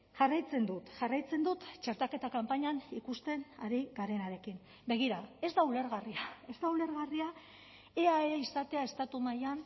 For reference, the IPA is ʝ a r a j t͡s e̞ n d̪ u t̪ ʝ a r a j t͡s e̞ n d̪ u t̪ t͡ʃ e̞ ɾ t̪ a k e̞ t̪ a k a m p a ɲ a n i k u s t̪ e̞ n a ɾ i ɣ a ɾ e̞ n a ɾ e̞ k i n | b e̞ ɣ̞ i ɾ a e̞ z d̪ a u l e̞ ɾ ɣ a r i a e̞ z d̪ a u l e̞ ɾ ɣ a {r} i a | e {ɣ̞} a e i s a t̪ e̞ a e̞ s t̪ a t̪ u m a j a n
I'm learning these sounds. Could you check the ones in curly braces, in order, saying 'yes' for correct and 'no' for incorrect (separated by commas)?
yes, no